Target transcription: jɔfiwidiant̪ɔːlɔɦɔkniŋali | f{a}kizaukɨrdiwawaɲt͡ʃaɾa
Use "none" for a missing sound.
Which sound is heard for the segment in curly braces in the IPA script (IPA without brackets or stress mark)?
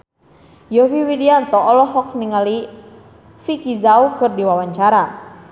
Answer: i